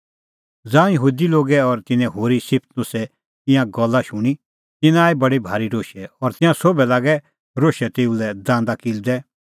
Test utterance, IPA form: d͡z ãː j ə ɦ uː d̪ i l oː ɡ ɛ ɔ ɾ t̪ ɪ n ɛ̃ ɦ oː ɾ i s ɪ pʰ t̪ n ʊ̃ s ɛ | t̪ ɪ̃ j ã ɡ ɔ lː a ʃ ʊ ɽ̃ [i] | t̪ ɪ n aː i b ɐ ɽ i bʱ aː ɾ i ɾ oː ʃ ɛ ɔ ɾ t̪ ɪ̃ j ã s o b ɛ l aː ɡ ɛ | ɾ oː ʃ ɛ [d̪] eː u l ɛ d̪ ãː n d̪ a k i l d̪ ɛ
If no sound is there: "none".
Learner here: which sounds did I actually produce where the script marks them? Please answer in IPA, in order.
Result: i, t̪

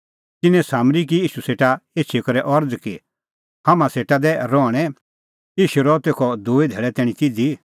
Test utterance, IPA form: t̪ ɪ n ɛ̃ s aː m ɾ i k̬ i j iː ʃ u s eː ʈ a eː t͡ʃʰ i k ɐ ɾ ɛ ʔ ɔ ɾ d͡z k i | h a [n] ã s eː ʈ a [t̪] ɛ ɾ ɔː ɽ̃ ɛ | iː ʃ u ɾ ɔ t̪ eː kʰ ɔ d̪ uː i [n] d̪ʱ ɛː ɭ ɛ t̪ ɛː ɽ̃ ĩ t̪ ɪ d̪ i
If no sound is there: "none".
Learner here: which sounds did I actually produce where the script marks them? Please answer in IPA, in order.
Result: m, d̪, none

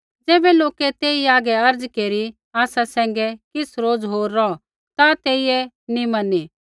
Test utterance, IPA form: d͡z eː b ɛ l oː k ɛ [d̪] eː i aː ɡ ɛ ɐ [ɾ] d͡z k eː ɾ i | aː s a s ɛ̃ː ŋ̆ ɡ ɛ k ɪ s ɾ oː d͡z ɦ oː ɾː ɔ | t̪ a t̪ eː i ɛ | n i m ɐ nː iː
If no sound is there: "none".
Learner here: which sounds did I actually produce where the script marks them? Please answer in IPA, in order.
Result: t̪, ɾ

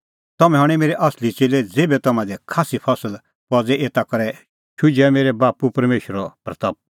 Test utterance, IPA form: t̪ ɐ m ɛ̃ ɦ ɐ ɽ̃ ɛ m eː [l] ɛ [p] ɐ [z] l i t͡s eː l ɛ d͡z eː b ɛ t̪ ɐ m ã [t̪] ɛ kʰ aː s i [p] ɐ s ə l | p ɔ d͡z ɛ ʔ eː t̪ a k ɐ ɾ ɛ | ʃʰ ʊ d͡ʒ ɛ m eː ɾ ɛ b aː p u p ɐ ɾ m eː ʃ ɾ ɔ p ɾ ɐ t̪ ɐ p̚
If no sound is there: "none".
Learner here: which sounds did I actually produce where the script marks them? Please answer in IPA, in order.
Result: ɾ, ʔ, s, d̪, pʰ

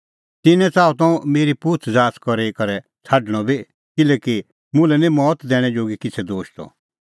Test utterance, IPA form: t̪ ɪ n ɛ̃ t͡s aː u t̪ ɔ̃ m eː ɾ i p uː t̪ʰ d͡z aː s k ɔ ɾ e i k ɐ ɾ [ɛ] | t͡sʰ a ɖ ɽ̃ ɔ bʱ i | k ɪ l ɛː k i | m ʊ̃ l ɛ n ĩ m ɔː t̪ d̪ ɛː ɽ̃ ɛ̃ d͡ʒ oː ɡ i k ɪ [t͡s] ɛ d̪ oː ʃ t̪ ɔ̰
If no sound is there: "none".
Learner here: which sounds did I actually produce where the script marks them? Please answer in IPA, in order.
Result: ɛ, t͡sʰ

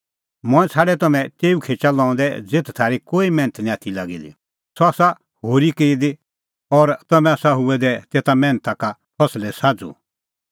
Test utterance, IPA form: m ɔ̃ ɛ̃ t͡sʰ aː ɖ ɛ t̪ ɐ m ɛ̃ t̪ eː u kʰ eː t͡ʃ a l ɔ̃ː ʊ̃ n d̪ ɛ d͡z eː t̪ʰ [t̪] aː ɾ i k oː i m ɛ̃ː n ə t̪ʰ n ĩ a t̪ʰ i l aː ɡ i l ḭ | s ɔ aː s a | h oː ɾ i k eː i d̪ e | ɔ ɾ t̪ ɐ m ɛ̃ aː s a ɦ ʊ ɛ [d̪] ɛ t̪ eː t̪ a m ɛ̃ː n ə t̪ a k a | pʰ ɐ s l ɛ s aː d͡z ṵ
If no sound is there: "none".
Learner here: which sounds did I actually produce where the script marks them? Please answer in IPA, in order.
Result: t̪ʰ, d̪

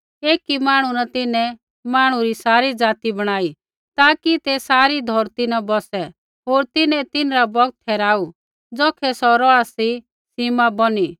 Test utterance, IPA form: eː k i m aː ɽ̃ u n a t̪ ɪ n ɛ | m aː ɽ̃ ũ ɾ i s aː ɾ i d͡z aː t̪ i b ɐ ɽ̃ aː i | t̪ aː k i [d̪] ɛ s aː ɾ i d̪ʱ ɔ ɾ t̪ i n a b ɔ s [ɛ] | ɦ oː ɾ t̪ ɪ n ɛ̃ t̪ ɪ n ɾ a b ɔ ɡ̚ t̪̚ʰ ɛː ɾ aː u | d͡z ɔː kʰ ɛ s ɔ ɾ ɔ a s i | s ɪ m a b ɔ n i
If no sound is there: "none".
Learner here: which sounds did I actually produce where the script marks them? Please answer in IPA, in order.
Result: t̪, ɛ

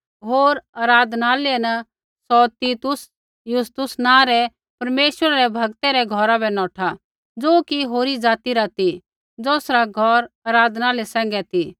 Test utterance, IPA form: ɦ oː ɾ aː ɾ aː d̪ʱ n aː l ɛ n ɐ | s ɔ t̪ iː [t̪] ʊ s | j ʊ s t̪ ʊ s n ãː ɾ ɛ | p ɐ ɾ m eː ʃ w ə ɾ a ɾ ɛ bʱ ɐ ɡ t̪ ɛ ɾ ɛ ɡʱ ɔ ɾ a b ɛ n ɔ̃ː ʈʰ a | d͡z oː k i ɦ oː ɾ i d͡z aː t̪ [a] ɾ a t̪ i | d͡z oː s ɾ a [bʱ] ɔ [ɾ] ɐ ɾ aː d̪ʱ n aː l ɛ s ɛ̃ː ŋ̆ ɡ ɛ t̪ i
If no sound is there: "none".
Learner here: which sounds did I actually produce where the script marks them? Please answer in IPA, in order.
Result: t̪, i, ɡʱ, ɾ

